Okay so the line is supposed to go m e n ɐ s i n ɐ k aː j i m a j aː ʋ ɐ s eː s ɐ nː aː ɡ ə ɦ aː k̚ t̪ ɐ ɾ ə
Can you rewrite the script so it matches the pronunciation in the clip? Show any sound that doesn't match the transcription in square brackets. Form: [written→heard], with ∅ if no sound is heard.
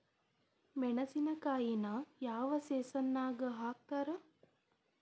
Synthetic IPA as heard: m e n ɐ s i n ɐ k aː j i [m→n] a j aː ʋ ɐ s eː s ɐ nː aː ɡ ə ɦ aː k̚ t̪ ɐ ɾ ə